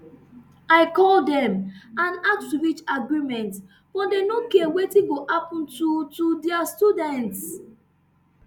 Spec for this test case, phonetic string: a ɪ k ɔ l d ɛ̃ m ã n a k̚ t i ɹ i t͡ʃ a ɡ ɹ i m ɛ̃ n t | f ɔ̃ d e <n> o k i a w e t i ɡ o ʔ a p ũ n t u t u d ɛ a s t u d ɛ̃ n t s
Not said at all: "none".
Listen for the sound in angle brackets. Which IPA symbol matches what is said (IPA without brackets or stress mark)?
n